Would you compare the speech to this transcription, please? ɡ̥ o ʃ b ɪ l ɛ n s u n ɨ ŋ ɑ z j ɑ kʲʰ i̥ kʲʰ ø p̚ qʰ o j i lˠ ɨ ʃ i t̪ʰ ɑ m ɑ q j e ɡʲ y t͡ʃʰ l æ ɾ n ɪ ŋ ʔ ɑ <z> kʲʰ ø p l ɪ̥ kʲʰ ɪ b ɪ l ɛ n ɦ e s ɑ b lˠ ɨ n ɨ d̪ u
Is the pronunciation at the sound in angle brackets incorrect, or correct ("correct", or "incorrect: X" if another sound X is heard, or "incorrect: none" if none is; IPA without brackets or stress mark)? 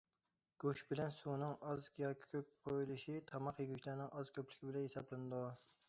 correct